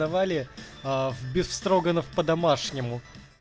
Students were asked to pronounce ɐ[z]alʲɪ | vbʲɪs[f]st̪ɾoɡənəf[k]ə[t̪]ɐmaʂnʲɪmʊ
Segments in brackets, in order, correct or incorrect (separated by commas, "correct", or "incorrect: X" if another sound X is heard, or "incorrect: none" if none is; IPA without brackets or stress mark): incorrect: v, correct, incorrect: p, incorrect: d̪